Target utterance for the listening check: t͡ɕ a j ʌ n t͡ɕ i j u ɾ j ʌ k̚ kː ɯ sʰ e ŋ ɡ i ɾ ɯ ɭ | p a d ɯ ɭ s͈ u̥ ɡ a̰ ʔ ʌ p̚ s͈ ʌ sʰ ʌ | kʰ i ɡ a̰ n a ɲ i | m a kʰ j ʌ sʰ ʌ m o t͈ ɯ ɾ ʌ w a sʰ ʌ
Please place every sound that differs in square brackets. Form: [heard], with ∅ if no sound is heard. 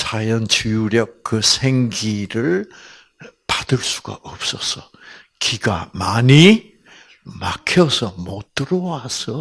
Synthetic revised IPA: t͡ɕ a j ʌ n t͡ɕ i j u ɾ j ʌ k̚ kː ɯ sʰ e ŋ ɡ i ɾ ɯ ɭ | p a d ɯ ɭ s͈ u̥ ɡ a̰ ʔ ʌ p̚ s͈ ʌ sʰ ʌ | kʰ i ɡ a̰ [m] a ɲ i | m a kʰ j ʌ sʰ ʌ m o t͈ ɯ ɾ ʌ w a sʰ ʌ